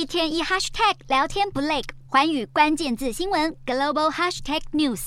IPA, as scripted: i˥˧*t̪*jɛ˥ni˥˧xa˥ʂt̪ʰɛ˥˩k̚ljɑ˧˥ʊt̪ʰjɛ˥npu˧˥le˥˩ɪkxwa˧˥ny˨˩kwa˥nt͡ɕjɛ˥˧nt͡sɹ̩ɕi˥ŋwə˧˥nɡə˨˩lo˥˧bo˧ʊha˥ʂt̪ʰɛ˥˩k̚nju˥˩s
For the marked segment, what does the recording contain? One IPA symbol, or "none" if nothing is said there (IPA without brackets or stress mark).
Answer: t̪ʰ